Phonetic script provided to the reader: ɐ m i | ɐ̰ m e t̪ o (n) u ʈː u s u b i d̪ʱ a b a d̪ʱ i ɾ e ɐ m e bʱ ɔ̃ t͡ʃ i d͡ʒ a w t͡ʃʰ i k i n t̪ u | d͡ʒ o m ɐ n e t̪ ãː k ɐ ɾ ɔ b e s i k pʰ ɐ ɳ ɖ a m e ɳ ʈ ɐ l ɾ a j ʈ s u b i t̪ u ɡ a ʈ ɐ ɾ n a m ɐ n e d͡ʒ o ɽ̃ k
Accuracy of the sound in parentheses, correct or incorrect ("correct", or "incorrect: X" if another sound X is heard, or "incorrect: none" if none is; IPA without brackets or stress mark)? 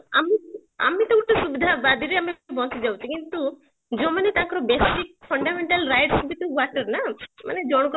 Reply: incorrect: none